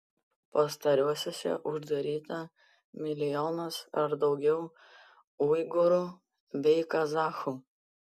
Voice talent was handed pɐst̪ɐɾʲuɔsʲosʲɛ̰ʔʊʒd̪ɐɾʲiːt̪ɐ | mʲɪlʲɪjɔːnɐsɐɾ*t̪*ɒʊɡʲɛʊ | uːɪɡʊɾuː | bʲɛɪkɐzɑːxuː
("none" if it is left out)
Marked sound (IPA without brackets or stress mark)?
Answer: d̪